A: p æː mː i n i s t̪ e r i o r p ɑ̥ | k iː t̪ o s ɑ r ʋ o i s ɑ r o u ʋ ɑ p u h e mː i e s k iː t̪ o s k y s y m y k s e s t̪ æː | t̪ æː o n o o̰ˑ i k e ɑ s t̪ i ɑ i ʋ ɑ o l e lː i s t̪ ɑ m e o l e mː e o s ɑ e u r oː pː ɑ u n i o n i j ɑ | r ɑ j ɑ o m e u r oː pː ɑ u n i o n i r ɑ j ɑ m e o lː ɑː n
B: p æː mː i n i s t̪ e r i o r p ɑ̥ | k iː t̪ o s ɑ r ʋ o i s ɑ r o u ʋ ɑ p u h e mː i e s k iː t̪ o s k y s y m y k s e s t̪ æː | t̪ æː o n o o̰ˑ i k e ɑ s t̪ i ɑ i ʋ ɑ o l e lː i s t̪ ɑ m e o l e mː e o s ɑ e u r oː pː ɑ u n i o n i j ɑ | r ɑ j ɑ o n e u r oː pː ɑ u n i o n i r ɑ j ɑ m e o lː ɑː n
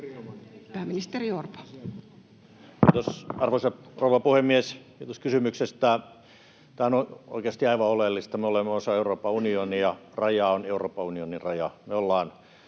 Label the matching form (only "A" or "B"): B